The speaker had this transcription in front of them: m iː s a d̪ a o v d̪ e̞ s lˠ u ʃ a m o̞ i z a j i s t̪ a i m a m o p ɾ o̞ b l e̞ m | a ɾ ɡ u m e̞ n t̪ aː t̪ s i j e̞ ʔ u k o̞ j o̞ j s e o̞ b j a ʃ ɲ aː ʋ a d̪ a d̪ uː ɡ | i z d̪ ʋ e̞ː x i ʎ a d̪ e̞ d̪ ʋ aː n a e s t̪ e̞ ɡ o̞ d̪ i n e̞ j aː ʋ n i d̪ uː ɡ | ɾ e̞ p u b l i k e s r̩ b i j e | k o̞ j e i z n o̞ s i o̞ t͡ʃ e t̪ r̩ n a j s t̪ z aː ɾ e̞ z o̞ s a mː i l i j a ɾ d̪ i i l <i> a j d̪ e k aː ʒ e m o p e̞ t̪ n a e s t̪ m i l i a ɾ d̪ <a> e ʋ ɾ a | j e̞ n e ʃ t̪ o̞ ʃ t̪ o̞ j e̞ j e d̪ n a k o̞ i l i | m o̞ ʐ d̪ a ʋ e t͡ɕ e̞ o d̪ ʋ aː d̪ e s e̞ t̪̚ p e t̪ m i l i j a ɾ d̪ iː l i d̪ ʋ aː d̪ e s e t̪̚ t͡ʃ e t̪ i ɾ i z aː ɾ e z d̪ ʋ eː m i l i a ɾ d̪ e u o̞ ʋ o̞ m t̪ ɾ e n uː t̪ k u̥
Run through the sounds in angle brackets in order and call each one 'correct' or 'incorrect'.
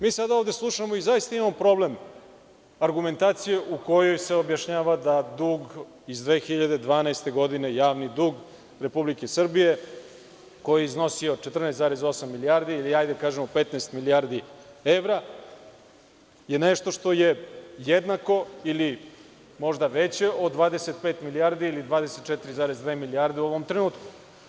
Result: correct, incorrect: i

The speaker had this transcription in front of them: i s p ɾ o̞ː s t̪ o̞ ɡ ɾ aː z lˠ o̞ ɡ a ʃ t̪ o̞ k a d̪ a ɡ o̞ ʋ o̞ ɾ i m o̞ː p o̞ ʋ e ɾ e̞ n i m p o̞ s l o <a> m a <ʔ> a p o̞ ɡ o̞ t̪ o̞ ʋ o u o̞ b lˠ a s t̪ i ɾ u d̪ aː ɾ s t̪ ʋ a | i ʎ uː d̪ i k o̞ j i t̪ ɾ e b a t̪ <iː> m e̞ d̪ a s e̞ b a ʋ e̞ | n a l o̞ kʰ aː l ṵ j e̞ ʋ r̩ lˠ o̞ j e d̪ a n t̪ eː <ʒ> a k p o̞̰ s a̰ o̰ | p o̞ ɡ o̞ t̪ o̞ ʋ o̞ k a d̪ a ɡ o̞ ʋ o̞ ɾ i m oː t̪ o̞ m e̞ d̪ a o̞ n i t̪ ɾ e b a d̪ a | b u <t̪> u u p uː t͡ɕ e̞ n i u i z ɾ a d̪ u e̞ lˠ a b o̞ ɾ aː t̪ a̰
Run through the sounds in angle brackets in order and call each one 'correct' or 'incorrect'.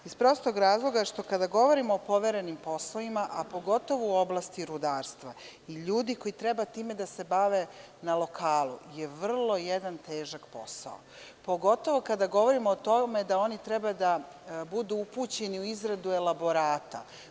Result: incorrect: i, correct, correct, correct, incorrect: d̪

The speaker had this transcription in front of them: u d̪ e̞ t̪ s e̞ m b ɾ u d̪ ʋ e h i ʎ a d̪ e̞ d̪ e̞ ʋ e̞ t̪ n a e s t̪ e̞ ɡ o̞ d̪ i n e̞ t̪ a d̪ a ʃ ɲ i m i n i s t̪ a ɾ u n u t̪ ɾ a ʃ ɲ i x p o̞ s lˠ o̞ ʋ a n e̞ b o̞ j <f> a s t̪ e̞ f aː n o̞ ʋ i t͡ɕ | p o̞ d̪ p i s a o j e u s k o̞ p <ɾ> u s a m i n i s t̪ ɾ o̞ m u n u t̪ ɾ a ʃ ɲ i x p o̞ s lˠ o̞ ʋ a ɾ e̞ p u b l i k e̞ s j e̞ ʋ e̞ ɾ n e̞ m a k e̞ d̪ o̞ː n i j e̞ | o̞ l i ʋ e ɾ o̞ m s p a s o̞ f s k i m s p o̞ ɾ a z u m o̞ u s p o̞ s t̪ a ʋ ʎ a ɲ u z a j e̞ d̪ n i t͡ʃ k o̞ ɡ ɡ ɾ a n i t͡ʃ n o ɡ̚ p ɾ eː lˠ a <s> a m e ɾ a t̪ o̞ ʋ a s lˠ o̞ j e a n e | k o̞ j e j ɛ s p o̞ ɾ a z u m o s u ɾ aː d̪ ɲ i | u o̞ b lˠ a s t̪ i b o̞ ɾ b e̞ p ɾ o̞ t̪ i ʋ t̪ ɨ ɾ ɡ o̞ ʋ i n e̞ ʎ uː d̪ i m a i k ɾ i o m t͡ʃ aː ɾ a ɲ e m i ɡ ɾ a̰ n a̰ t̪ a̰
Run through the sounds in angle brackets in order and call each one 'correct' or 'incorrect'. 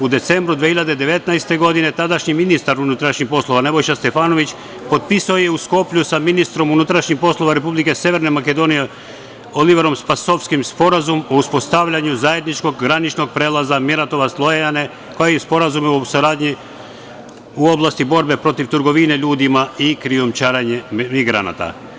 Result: incorrect: ʃ, incorrect: ʎ, incorrect: z

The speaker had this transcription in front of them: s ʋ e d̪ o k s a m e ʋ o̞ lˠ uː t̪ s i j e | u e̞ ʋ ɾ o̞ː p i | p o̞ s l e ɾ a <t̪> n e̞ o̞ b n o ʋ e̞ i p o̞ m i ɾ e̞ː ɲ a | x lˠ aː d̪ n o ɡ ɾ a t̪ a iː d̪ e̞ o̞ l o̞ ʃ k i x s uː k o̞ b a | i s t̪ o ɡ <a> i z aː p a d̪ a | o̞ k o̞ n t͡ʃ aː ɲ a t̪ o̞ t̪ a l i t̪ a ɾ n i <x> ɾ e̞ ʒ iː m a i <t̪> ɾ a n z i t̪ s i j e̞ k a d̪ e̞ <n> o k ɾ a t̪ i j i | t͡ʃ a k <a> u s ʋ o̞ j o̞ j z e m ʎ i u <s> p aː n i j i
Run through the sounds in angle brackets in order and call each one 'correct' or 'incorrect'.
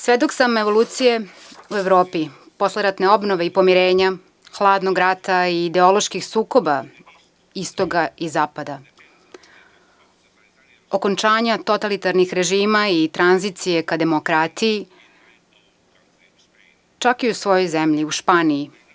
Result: correct, correct, correct, correct, incorrect: m, incorrect: i, incorrect: ʃ

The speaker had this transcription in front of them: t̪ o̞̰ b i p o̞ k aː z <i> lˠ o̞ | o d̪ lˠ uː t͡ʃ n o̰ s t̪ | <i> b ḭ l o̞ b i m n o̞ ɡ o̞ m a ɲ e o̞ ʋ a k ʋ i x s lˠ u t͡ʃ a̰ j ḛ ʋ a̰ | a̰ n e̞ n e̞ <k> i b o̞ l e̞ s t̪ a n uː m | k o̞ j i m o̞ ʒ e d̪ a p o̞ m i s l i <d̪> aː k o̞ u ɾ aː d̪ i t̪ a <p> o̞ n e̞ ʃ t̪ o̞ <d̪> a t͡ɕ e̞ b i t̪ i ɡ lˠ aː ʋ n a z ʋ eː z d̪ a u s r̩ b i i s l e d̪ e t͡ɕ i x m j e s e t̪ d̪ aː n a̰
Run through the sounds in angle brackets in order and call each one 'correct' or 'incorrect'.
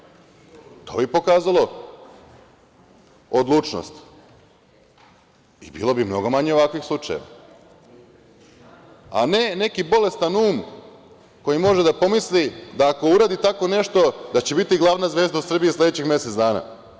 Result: incorrect: a, correct, correct, correct, incorrect: k, correct

